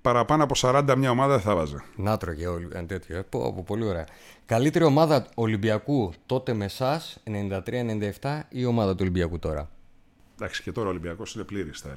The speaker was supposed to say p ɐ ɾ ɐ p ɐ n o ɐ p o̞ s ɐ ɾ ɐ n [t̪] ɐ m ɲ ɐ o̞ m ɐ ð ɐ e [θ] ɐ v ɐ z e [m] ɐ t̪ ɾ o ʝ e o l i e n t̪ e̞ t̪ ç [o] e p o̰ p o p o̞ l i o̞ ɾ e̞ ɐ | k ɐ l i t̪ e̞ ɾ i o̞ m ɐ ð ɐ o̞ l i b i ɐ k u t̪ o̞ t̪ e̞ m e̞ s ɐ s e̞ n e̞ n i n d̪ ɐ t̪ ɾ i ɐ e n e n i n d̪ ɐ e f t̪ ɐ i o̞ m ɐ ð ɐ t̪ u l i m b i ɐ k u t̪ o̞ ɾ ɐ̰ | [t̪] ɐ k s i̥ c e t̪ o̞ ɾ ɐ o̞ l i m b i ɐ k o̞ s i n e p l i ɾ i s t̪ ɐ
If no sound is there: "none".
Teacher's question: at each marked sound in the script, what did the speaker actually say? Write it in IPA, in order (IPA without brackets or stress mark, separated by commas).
d̪, θ, n, o, d̪